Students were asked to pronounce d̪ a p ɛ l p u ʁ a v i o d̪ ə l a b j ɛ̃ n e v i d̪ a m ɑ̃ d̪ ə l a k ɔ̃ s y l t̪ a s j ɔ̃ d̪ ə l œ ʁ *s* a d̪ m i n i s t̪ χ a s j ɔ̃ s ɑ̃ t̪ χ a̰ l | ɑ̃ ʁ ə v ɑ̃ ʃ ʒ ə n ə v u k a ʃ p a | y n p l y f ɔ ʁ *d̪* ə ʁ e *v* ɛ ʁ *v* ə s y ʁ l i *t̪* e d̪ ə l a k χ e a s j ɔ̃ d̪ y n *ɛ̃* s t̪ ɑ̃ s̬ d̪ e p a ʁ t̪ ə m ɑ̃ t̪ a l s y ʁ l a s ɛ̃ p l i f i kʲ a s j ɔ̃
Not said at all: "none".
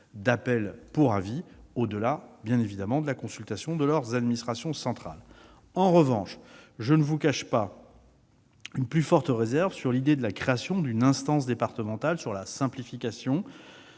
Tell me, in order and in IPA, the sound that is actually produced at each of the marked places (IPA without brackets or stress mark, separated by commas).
z, t̪, z, v, d̪, ɛ̃